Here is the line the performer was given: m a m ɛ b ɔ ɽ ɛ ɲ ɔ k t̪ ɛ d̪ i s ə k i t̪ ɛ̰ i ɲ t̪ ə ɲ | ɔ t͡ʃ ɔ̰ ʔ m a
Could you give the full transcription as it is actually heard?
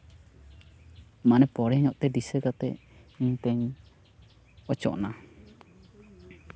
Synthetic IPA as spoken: m a n ɛ p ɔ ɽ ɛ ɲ ɔ ʔ t̪ ɛ d̪ i s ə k a t̪ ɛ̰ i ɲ t̪ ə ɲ | ɔ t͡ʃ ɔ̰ ʔ n a